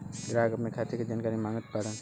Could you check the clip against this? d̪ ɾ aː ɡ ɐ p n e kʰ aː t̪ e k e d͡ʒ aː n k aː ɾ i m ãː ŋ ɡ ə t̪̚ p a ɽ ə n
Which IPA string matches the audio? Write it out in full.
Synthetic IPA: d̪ ɾ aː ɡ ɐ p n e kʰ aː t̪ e k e d͡ʒ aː n k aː ɾ i m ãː ŋ ɡ ə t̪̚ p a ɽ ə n